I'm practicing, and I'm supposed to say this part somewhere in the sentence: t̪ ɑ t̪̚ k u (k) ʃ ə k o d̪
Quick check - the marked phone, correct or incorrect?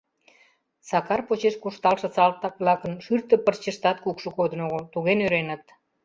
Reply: correct